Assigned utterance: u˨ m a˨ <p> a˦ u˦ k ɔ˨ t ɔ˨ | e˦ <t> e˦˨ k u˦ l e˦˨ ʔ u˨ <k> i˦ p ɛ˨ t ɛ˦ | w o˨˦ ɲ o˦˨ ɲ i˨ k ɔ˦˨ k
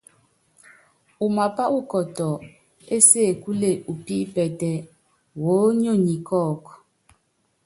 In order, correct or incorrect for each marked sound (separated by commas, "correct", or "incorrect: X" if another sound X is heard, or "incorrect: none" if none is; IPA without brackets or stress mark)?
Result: correct, incorrect: s, incorrect: p